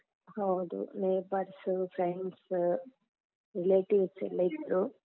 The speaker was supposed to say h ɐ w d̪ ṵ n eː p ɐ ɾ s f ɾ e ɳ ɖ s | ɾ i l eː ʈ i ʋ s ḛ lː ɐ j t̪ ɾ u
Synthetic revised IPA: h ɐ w d̪ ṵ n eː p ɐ ɾ s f ɾ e ɳ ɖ s | ɾ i l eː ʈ i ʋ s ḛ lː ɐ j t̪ ɾ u